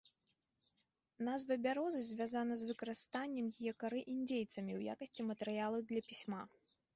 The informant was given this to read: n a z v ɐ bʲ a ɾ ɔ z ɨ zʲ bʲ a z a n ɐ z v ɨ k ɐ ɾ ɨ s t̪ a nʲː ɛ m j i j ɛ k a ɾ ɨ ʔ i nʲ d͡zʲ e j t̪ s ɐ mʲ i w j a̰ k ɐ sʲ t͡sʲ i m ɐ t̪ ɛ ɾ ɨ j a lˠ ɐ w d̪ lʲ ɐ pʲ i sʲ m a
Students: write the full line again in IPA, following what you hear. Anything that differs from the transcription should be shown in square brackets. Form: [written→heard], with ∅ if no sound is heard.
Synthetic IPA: n a z v ɐ bʲ a ɾ ɔ z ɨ zʲ [bʲ→vʲ] a z a n ɐ z v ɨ k ɐ ɾ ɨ s t̪ a nʲː ɛ m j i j ɛ k a ɾ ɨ ʔ i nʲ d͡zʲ e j t̪ s ɐ mʲ i w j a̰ k ɐ sʲ t͡sʲ i m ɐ t̪ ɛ ɾ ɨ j a lˠ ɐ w d̪ lʲ ɐ pʲ i sʲ m a

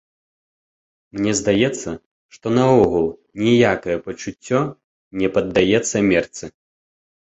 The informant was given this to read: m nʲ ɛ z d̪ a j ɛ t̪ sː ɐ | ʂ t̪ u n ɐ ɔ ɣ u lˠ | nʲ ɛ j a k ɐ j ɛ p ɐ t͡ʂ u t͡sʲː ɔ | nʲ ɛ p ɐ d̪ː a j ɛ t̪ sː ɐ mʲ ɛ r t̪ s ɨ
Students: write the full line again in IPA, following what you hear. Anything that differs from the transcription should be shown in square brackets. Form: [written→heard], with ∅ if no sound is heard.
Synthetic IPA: m nʲ ɛ z d̪ a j ɛ t̪ sː ɐ | ʂ t̪ [u→ɔ] n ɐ ɔ ɣ u lˠ | nʲ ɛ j a k ɐ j ɛ p ɐ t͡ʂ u t͡sʲː ɔ | nʲ ɛ p ɐ d̪ː a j ɛ t̪ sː ɐ mʲ ɛ r t̪ s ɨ

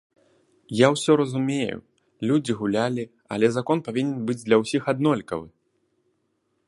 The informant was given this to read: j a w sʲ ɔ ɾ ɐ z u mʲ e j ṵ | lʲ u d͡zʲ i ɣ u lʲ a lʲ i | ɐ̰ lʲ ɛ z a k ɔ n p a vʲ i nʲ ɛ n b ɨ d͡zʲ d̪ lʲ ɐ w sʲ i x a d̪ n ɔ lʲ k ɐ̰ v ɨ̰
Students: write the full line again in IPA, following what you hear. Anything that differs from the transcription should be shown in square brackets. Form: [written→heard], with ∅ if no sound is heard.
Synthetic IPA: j a w sʲ ɔ ɾ ɐ z u mʲ e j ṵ | lʲ u d͡zʲ i ɣ u lʲ a lʲ i | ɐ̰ lʲ ɛ z a k ɔ n p a vʲ i nʲ ɛ n b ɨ d͡zʲ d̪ lʲ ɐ w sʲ i x a d̪ n ɔ lʲ k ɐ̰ v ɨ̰

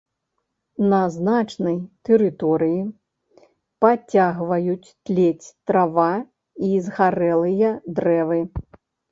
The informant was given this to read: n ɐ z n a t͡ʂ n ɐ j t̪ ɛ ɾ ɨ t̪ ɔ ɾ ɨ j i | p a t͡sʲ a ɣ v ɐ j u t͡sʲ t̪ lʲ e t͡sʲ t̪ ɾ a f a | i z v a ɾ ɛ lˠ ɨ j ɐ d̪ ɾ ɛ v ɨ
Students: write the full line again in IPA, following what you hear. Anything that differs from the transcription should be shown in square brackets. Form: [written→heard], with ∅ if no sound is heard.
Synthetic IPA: n ɐ z n a t͡ʂ n ɐ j t̪ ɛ ɾ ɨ t̪ ɔ ɾ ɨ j i | p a t͡sʲ a ɣ v ɐ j u t͡sʲ t̪ lʲ e t͡sʲ t̪ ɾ a [f→v] a | i z [v→ɣ] a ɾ ɛ lˠ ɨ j ɐ d̪ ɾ ɛ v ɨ

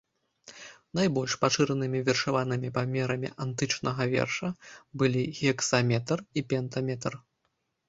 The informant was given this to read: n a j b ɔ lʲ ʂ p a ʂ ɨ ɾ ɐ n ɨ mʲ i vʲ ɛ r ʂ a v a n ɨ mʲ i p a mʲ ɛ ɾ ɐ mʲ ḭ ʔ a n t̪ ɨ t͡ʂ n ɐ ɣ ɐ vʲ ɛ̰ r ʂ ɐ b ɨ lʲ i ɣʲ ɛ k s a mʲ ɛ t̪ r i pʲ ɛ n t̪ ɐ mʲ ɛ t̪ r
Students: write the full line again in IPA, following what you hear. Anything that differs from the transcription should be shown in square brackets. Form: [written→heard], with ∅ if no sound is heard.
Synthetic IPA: n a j b ɔ lʲ ʂ p a ʂ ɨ ɾ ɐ n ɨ mʲ i vʲ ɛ r ʂ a v a n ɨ mʲ i p a mʲ ɛ ɾ ɐ mʲ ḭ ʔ a n t̪ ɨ t͡ʂ n ɐ ɣ ɐ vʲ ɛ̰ r ʂ ɐ b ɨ lʲ i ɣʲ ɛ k s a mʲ ɛ t̪ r i pʲ ɛ n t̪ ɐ mʲ ɛ t̪ r

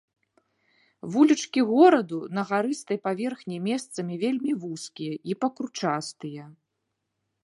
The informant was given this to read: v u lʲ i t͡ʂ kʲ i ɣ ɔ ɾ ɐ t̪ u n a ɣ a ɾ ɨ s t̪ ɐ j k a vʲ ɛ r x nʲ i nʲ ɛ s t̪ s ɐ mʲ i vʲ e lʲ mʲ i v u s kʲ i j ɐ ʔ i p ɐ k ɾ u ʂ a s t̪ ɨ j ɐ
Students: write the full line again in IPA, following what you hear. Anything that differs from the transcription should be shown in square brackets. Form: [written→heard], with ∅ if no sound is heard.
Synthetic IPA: v u lʲ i t͡ʂ kʲ i ɣ ɔ ɾ ɐ [t̪→d̪] u n [a→ɐ] ɣ a ɾ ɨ s t̪ ɐ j [k→p] a vʲ ɛ r x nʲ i [nʲ→mʲ] ɛ s t̪ s ɐ mʲ i vʲ e lʲ mʲ i v u s kʲ i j ɐ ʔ i p ɐ k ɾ u [ʂ→t͡ʂ] a s t̪ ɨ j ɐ

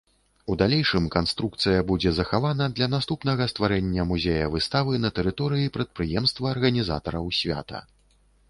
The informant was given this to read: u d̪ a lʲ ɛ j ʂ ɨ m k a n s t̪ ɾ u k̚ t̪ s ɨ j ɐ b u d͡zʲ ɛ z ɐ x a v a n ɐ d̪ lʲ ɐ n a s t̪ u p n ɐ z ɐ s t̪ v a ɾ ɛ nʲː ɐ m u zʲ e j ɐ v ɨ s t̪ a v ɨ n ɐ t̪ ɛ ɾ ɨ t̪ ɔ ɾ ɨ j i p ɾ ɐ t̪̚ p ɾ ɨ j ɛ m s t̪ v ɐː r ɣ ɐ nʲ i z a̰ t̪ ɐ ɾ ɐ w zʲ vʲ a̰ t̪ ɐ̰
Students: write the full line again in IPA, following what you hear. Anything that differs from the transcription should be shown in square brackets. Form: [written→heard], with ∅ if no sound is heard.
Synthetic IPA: u d̪ a lʲ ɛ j ʂ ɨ m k a n s t̪ ɾ u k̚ t̪ s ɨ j ɐ b u d͡zʲ ɛ z ɐ x a v a n ɐ d̪ lʲ ɐ n a s t̪ u p n ɐ [z→ɣ] ɐ s t̪ v a ɾ ɛ nʲː ɐ m u zʲ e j ɐ v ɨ s t̪ a v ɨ n ɐ t̪ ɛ ɾ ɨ t̪ ɔ ɾ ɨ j i p ɾ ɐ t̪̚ p ɾ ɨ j ɛ m s t̪ v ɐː r ɣ ɐ nʲ i z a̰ t̪ ɐ ɾ ɐ w [zʲ→sʲ] vʲ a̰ t̪ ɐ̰

